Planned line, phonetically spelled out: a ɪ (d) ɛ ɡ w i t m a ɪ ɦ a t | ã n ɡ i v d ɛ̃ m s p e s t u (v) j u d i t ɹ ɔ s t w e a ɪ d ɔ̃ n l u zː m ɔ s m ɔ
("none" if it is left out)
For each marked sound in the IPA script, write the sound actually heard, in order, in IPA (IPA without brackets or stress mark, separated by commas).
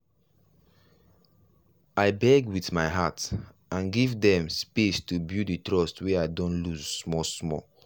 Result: b, b